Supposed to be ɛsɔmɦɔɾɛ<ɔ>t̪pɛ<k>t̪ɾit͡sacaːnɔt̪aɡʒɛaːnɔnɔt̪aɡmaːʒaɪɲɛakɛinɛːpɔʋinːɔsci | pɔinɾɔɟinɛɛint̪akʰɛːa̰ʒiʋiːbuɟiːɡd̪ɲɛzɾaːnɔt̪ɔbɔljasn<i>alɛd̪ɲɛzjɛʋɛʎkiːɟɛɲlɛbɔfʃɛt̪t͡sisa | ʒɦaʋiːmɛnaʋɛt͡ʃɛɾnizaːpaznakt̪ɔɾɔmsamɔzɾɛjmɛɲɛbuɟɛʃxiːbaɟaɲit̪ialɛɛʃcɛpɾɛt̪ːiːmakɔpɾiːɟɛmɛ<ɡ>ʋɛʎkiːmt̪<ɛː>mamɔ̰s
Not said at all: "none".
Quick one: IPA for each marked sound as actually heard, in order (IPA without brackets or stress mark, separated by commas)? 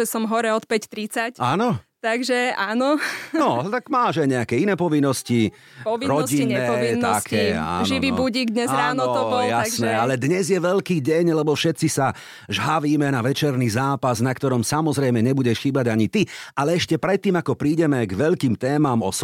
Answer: ɔ, c, ɛ, ɡ, ɛː